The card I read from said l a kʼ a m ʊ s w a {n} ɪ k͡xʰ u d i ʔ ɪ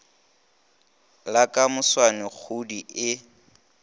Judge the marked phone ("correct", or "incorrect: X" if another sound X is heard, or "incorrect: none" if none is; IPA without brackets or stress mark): correct